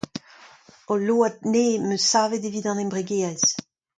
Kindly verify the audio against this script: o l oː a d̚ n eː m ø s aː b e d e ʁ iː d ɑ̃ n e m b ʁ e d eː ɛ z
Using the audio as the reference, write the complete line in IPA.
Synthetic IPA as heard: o l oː a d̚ n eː m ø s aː v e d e v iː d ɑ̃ n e m b ʁ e ɡ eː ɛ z